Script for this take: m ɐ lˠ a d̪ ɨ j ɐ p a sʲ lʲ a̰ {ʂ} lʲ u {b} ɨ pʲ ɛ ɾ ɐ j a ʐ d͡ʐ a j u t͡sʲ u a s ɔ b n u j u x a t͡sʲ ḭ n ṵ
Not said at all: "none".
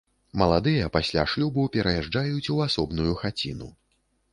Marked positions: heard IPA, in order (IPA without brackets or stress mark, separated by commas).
ʂ, b